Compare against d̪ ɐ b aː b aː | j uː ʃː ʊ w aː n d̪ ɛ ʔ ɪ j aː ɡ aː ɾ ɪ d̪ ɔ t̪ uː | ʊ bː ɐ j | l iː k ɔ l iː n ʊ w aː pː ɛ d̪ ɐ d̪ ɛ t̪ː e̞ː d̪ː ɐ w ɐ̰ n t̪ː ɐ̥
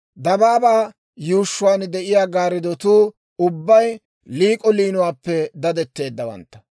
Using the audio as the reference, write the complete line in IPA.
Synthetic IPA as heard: d̪ ɐ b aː b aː | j uː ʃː ʊ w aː n d̪ ɛ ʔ ɪ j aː ɡ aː ɾ ɪ d̪ ɔ t̪ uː | ʊ bː ɐ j | l iː kʼ ɔ l iː n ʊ w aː pː ɛ d̪ ɐ d̪ ɛ t̪ː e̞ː d̪ː ɐ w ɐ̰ n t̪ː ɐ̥